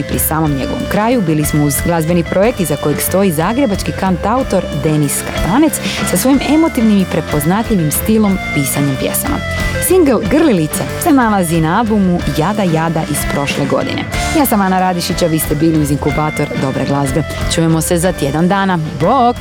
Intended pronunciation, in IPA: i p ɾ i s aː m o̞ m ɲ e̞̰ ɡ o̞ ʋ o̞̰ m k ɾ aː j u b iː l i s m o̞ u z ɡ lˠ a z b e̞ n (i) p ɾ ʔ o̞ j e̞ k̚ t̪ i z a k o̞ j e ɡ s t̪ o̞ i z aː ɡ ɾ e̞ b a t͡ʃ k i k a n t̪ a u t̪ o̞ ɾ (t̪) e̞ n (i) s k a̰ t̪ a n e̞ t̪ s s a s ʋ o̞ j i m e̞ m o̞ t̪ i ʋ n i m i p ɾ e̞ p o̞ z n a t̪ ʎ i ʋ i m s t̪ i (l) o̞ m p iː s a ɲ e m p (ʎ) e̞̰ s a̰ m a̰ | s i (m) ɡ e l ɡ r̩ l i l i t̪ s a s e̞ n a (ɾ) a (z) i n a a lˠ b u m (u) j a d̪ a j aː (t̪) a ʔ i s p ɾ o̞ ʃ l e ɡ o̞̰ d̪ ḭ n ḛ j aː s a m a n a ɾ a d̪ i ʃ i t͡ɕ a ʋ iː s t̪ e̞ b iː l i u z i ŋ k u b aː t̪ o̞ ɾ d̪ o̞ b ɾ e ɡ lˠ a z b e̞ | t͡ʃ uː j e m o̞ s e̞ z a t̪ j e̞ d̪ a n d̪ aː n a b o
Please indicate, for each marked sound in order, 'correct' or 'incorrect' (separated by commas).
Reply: correct, incorrect, correct, correct, incorrect, incorrect, incorrect, correct, correct, incorrect